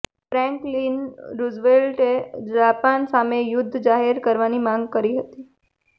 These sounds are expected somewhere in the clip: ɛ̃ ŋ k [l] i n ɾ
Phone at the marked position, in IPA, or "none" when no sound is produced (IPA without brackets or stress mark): l